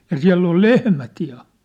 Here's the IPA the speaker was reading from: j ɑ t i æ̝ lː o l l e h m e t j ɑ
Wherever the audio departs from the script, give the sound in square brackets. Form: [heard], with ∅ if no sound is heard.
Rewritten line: j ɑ [s] i æ̝ lː o l l e h m [æ] t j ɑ